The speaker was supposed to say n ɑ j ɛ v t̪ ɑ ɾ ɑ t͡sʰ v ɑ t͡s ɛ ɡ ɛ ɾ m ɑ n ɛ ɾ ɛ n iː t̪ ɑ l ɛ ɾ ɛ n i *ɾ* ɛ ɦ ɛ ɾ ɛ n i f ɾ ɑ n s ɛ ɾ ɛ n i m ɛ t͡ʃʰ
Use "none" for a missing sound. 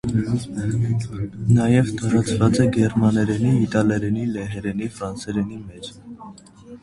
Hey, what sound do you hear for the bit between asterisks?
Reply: l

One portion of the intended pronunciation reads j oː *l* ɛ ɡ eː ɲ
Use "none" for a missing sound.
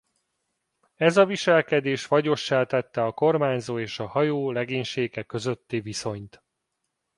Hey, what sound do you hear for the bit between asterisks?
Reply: l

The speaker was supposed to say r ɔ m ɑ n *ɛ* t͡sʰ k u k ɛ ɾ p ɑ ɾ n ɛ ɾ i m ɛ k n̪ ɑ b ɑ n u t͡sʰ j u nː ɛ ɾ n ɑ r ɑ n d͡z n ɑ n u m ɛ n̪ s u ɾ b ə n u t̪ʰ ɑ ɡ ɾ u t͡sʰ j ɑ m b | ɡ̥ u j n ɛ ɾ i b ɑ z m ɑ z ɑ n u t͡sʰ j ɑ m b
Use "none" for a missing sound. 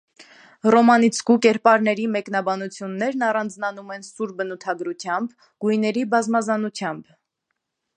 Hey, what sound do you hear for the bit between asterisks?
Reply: i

